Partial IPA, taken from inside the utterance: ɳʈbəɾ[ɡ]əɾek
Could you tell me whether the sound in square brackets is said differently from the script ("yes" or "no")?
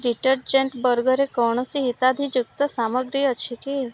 no